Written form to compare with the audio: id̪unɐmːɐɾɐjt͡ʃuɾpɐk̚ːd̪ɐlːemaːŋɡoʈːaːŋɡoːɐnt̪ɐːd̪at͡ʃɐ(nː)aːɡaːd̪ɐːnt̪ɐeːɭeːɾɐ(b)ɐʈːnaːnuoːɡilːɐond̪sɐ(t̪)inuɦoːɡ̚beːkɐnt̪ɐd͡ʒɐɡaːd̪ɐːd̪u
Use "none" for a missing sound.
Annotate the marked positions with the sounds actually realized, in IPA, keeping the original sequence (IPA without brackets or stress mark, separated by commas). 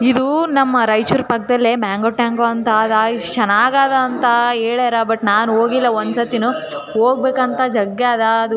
n, b, t̪